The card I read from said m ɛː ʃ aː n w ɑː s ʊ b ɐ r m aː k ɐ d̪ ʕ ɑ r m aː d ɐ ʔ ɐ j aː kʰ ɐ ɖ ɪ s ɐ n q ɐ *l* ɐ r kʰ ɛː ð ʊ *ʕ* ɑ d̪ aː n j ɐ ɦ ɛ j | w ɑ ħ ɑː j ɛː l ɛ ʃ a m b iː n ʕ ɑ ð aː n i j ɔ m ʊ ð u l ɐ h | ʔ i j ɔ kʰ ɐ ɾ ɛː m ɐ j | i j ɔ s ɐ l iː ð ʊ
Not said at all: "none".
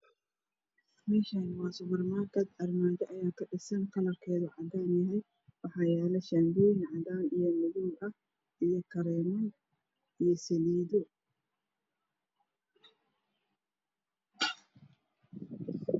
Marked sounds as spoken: l, ʕ

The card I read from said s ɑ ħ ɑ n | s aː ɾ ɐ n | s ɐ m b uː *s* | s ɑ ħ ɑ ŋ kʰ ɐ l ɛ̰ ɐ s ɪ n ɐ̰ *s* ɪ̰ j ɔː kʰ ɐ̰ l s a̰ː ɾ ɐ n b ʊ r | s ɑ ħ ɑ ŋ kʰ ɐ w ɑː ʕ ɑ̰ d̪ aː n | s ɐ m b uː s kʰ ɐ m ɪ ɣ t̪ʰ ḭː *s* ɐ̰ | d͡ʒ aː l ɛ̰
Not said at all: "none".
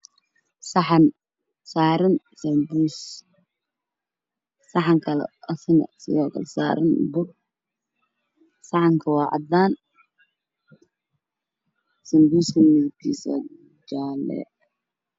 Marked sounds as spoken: s, s, s

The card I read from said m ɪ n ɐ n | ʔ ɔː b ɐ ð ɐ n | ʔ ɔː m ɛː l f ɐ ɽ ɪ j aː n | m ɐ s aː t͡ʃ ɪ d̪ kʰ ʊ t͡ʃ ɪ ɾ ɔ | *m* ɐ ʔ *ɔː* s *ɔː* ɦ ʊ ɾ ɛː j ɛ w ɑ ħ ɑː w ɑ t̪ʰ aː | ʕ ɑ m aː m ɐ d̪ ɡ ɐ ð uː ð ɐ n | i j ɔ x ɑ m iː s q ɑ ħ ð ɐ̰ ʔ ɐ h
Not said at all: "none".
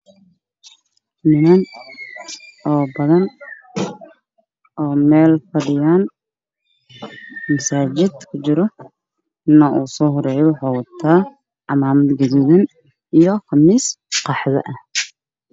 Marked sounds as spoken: n, uː, ɔː

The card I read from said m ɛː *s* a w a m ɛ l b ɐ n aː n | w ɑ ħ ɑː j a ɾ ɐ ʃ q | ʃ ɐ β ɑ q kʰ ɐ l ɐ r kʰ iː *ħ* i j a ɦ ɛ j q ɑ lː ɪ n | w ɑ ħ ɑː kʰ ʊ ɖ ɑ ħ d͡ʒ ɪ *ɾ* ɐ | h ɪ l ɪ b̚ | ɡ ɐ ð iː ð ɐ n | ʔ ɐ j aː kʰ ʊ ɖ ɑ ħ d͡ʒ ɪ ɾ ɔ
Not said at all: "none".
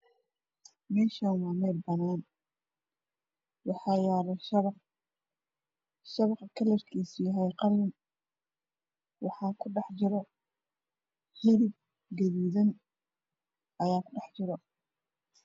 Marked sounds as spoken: ʃ, s, ɾ

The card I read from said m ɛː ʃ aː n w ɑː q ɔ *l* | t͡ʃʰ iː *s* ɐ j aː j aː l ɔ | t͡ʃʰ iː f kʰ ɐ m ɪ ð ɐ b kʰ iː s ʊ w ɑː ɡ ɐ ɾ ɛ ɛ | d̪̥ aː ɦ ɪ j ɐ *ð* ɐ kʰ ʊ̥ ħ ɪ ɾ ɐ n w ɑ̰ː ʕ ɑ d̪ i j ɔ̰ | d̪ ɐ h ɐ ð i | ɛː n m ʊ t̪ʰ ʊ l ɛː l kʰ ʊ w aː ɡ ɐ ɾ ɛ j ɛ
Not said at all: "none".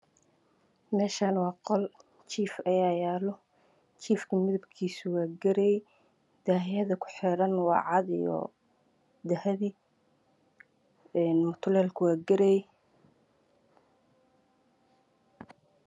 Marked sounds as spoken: l, f, ð

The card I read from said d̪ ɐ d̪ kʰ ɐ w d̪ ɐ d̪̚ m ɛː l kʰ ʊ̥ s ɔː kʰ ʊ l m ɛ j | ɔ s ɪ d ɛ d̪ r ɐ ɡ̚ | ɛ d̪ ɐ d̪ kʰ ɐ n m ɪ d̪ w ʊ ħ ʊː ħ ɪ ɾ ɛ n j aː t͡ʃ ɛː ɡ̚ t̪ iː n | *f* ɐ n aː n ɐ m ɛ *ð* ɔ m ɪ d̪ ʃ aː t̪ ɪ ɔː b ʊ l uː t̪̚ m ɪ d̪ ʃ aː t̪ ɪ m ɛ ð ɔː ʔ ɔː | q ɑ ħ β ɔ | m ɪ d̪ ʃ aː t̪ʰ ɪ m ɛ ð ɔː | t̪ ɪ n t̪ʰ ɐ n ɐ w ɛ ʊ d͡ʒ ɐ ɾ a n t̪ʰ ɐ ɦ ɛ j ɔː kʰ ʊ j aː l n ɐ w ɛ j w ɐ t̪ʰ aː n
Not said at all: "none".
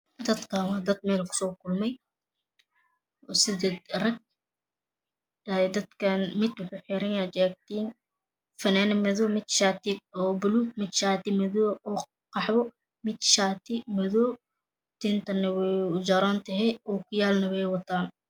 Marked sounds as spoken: f, ð

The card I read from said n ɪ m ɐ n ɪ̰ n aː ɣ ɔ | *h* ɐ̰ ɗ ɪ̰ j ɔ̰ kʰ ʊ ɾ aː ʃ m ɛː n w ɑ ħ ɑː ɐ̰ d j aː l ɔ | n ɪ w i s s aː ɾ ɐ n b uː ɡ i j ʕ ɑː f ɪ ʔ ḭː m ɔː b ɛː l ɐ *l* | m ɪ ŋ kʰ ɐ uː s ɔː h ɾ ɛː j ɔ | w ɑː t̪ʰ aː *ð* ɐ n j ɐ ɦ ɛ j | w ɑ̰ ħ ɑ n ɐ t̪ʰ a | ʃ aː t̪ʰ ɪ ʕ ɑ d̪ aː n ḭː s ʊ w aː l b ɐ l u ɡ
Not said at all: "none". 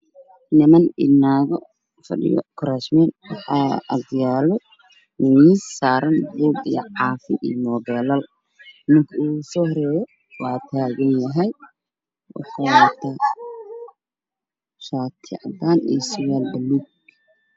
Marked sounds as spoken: f, l, ɣ

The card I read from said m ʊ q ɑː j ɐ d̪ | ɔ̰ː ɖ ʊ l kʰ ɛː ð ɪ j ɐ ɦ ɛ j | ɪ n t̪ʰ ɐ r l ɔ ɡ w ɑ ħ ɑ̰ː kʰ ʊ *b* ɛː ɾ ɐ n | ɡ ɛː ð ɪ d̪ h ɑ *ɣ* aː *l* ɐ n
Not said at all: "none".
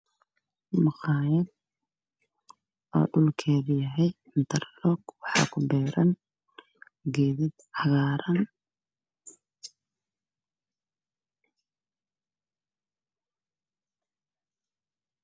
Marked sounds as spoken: b, ɣ, ɾ

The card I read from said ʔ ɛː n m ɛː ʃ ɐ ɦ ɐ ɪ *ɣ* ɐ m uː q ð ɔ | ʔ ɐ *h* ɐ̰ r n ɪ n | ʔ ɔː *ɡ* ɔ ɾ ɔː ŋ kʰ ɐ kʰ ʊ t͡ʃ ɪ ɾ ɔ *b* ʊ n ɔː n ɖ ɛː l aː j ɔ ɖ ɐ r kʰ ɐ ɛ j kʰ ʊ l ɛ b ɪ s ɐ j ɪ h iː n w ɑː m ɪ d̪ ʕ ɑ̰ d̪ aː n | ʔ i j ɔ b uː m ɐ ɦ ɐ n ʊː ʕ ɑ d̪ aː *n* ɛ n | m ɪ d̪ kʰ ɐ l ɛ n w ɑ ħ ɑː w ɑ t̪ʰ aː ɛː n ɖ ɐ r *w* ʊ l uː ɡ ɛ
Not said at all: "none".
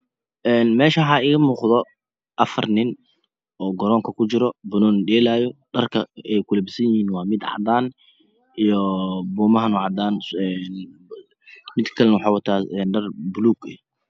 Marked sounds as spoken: ɣ, f, ɡ, b, n, b

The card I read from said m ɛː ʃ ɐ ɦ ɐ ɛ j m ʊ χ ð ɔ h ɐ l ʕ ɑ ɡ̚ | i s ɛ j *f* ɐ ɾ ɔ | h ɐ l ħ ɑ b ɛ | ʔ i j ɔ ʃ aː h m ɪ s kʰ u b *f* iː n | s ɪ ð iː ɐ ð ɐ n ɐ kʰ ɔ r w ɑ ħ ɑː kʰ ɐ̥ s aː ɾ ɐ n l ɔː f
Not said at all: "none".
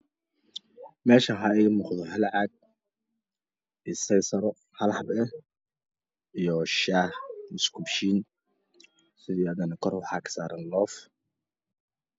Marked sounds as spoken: s, ʃ

